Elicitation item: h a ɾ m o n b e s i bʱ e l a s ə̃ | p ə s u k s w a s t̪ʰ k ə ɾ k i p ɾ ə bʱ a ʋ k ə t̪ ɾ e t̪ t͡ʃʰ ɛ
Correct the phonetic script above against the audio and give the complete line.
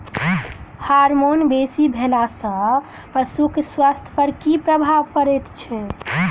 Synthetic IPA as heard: h a ɾ m o n b e s i bʱ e l a s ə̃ | p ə s u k s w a s t̪ʰ p ə ɾ k i p ɾ ə bʱ a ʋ k ə ɾ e t̪ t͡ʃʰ ɛ